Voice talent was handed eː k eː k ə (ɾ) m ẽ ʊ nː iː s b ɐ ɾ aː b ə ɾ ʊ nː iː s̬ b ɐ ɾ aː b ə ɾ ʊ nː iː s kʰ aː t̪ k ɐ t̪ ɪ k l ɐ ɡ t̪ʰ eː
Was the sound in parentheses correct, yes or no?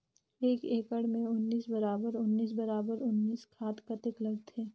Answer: no